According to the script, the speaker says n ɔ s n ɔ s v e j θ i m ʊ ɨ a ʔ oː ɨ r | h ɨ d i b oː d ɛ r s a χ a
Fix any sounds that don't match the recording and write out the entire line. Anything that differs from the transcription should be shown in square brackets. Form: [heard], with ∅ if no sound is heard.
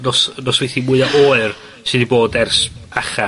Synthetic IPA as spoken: n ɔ s n ɔ s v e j θ i m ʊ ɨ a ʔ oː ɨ r | [s] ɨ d i b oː d ɛ r s a χ a